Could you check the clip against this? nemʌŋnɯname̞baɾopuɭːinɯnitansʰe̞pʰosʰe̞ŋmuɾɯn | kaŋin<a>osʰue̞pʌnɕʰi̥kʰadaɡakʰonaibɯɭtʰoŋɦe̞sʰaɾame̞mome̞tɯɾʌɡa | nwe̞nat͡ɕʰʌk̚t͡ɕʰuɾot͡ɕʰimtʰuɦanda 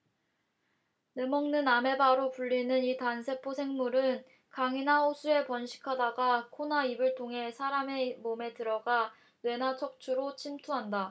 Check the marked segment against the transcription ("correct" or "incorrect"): correct